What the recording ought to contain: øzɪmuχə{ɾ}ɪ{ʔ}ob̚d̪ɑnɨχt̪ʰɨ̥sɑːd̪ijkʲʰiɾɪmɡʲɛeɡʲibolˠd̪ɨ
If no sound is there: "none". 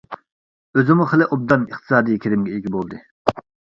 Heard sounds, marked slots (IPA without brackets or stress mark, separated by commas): l, ʔ